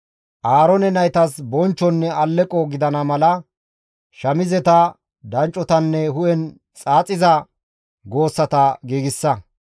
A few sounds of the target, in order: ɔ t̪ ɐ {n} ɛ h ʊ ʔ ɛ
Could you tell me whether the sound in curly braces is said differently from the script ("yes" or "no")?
yes